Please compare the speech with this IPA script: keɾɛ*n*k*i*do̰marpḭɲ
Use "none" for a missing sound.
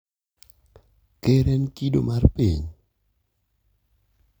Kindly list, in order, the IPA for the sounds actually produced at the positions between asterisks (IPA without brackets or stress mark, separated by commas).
n, i